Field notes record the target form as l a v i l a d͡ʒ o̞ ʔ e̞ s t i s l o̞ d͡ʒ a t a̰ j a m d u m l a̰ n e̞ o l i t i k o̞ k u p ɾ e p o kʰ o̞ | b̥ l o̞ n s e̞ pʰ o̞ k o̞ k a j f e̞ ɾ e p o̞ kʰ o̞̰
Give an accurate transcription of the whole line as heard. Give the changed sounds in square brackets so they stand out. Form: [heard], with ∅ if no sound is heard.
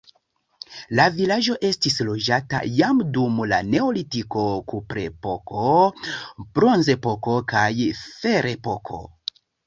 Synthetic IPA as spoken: l a v i l a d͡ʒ o̞ ʔ e̞ s t i s l o̞ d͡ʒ a t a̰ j a m d u m l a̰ n e̞ o l i t i k o̞ k u p ɾ e p o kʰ o̞ | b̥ [ɾ] o̞ n [z] e̞ [p] o̞ k o̞ k a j f e̞ ɾ e p o̞ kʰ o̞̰